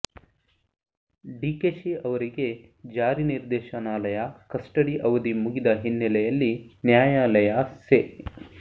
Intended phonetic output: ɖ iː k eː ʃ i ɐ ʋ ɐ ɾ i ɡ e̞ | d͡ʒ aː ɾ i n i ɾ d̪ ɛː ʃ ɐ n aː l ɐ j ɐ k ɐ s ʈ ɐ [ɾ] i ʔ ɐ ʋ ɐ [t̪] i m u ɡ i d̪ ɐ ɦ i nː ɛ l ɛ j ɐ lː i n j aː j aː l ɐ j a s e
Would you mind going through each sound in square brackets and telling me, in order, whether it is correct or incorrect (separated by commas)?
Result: incorrect, incorrect